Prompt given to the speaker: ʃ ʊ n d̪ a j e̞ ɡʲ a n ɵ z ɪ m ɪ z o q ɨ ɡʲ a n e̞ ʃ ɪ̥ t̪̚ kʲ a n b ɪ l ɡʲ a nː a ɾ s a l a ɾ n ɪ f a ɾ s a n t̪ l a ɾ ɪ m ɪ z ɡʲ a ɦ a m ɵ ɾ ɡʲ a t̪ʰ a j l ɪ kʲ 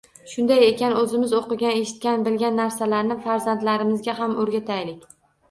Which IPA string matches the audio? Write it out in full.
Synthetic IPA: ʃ ʊ n d̪ a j e̞ kʲ a n ɵ z ɪ m ɪ z o q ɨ ɡʲ a n e̞ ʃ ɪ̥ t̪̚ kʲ a n b ɪ l ɡʲ a nː a ɾ s a l a ɾ n ɪ f a ɾ z a n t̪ l a ɾ ɪ m ɪ z ɡʲ a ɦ a m ɵ ɾ ɡʲ a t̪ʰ a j l ɪ kʲ